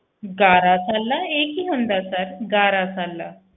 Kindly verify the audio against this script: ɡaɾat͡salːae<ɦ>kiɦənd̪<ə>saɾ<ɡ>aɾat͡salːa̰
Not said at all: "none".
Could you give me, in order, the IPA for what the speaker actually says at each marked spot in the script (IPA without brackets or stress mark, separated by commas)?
none, a, ɡ